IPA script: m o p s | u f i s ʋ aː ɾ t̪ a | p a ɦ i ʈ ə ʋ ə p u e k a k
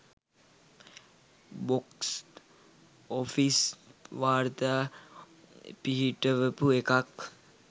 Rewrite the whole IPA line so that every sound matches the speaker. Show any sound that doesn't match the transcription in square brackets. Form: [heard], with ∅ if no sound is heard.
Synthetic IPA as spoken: [b] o [k] s | [o] f i s ʋ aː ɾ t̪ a | p [i] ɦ i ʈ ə ʋ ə p u e k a k